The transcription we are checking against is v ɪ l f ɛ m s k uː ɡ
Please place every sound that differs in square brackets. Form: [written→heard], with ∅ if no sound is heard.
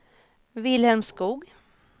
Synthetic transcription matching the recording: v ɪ l [f→h] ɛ m s k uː ɡ